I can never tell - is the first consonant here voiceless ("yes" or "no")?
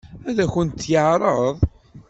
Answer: no